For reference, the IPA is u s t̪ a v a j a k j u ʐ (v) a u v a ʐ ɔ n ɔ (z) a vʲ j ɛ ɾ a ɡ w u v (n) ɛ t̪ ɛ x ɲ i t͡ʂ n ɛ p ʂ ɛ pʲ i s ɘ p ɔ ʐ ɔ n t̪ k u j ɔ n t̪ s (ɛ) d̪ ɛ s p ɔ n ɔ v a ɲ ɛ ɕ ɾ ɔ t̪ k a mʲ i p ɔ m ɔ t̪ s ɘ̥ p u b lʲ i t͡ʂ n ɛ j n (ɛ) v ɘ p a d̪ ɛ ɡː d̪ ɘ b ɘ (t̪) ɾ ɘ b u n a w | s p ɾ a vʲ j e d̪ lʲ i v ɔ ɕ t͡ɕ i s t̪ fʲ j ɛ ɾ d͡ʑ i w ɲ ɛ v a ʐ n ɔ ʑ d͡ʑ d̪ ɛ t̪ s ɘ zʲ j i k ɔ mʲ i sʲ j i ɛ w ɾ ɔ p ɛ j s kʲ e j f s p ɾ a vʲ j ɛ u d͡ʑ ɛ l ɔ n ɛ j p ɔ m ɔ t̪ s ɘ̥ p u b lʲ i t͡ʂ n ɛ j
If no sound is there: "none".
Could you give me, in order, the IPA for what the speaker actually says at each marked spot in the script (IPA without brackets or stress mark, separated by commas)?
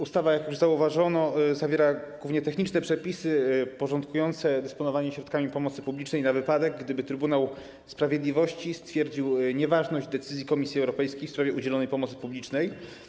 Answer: z, z, ɲ, ɛ, a, t̪